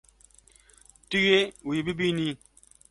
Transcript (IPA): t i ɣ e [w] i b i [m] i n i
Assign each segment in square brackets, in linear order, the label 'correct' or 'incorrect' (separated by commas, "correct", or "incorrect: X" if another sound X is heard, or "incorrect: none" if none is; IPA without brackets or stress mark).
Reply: correct, incorrect: b